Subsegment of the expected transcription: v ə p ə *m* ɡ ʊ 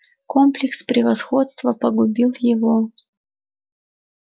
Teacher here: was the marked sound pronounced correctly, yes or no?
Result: no